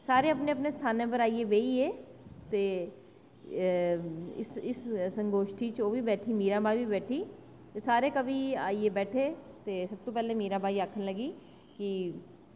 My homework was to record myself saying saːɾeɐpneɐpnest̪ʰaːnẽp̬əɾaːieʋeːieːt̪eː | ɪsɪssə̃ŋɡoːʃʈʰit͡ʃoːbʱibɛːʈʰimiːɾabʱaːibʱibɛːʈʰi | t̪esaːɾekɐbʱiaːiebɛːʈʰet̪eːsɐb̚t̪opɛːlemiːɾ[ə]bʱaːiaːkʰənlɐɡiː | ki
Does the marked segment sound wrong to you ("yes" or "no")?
yes